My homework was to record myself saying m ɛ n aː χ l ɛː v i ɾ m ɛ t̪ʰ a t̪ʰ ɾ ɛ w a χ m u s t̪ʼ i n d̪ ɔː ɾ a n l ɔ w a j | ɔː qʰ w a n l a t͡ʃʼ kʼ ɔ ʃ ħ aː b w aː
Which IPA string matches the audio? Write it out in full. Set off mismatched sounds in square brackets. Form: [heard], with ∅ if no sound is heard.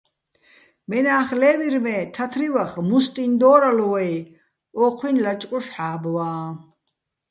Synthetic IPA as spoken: m ɛ n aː χ l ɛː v i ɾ m ɛ t̪ʰ a t̪ʰ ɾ [i] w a χ m u s t̪ʼ i n d̪ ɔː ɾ a [∅] l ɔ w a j | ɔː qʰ w [i] n l a t͡ʃʼ kʼ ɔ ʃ ħ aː b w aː